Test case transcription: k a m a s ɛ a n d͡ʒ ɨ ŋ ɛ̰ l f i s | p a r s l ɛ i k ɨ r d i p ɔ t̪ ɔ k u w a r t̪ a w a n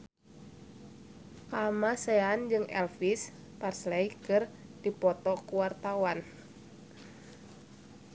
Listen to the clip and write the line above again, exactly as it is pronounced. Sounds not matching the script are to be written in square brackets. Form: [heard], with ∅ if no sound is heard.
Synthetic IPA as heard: k a m a s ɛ a n d͡ʒ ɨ ŋ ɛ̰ l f i s | p a r s l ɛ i k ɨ r d i p ɔ t̪ ɔ k u w a r t̪ a w a n